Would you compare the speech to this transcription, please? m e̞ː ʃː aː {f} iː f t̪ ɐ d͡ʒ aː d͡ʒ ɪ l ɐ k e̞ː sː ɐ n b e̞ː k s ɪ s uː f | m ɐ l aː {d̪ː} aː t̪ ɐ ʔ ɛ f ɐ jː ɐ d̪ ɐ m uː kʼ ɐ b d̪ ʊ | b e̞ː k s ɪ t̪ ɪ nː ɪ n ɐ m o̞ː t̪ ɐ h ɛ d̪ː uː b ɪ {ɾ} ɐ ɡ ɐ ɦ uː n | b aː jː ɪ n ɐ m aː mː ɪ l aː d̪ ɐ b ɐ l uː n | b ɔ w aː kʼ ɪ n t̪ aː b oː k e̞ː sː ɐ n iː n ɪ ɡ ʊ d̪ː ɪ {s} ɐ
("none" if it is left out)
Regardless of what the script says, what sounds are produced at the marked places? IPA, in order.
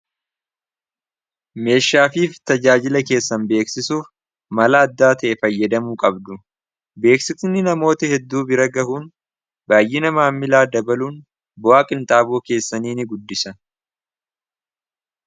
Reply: f, d̪ː, ɾ, s

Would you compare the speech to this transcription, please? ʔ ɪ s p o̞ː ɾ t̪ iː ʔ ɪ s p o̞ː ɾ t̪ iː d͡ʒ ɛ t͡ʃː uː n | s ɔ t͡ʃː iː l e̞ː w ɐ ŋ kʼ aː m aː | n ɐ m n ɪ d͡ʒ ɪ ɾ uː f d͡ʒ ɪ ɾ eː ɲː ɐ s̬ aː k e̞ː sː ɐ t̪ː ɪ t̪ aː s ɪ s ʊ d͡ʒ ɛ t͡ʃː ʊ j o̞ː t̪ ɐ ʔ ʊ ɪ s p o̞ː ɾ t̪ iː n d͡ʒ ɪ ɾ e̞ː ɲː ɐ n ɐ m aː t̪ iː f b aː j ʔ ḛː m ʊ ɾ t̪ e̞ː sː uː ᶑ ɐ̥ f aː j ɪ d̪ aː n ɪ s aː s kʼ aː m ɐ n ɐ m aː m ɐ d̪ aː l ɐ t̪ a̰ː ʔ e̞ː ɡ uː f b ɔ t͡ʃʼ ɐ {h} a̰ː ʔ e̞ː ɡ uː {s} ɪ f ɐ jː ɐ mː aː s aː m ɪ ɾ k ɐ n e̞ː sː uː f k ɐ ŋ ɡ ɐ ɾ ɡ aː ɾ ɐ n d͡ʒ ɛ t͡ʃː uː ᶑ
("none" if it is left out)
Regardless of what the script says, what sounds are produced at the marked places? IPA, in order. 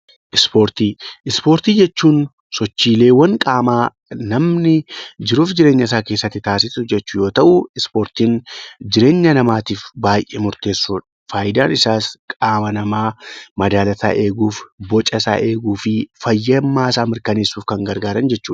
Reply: s, f

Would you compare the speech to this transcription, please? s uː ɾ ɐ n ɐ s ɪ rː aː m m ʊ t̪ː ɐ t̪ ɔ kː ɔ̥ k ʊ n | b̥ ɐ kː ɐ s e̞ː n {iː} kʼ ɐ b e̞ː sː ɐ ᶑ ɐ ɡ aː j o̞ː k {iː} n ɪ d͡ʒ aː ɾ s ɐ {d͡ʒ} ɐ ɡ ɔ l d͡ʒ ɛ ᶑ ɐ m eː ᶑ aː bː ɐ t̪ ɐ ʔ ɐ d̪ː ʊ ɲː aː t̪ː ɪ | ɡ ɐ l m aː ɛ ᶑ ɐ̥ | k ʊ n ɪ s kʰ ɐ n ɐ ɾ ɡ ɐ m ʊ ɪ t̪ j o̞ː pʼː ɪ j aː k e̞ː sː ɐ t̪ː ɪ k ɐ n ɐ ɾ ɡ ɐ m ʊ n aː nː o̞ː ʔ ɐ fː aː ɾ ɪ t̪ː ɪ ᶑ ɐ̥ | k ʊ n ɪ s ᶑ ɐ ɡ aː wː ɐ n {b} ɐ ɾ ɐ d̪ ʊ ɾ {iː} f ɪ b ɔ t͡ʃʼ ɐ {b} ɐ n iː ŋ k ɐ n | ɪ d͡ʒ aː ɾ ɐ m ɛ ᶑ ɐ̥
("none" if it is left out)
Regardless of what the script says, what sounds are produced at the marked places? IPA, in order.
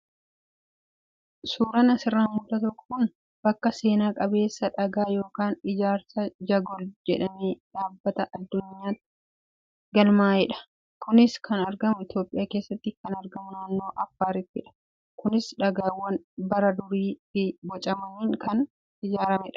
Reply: aː, aː, d͡ʒ, b, iː, m

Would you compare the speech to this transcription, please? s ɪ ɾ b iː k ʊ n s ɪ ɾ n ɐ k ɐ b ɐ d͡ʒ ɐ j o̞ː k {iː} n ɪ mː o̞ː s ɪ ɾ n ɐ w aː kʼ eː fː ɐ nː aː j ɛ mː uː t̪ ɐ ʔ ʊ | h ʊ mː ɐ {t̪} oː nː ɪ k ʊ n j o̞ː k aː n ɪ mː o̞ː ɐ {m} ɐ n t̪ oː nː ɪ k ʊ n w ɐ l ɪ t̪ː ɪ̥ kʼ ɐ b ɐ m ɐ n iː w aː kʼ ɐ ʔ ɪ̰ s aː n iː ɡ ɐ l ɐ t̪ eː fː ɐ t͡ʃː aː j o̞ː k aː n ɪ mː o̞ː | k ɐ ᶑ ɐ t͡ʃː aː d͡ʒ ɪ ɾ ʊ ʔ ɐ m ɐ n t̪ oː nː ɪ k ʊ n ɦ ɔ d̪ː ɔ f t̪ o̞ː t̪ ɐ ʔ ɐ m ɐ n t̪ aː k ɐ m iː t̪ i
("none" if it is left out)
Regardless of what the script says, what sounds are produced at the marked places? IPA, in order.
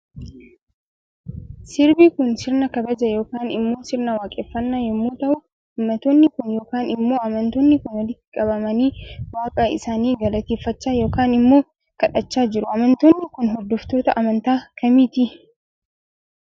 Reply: aː, t̪, m

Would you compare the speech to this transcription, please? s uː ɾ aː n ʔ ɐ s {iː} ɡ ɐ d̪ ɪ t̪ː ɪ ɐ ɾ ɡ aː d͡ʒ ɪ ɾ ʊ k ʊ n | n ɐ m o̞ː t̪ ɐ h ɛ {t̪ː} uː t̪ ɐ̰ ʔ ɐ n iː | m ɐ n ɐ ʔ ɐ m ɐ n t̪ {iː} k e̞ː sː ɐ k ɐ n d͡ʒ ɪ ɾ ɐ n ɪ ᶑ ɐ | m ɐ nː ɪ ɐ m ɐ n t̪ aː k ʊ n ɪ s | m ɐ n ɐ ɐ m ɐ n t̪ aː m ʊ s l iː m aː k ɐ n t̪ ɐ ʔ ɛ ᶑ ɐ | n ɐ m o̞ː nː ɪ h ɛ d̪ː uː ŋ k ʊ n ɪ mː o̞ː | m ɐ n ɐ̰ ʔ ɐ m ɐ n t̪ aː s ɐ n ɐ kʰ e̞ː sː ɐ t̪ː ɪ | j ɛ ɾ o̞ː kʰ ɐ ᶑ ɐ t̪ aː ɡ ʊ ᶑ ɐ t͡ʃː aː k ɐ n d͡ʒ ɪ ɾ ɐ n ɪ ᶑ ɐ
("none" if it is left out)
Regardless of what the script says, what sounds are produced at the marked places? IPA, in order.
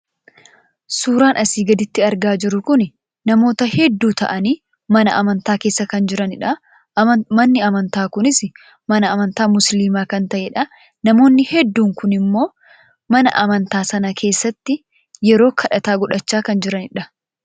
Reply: iː, d̪ː, aː

